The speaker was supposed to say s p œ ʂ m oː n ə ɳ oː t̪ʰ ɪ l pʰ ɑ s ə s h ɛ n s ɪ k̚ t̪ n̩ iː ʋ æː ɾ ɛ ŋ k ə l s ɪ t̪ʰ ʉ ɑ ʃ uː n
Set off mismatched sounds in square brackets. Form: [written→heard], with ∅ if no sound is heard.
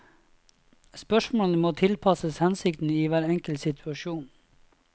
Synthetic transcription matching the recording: s p œ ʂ m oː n ə [ɳ→m] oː t̪ʰ ɪ l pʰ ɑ s ə s h ɛ n s ɪ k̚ t̪ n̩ iː ʋ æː ɾ ɛ ŋ k ə l s ɪ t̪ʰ ʉ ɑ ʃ uː n